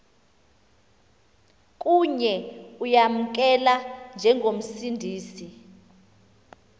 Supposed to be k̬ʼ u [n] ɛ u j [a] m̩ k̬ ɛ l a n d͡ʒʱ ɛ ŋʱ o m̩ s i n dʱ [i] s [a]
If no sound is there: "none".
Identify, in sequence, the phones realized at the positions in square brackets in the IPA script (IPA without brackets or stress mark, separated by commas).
ɲ, a, iː, i